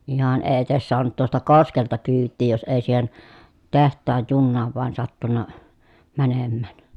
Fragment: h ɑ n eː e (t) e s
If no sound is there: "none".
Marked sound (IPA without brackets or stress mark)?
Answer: t